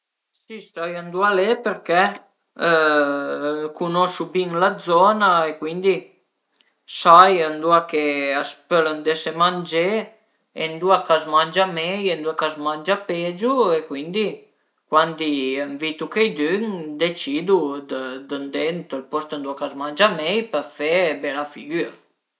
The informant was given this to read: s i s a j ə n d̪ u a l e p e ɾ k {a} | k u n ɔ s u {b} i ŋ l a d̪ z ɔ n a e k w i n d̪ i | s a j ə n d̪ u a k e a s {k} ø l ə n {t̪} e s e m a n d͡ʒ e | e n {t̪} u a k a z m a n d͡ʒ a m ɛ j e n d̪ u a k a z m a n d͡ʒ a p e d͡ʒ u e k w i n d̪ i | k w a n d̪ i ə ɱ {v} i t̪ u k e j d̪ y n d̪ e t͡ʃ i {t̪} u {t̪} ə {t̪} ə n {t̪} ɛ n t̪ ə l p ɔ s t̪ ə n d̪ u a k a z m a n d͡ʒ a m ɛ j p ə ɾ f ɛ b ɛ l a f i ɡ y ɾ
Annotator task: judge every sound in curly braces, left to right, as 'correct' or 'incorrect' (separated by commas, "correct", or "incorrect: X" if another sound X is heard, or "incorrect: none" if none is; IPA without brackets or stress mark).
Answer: incorrect: ɛ, correct, incorrect: p, incorrect: d̪, incorrect: d̪, correct, incorrect: d̪, incorrect: d̪, incorrect: d̪, incorrect: d̪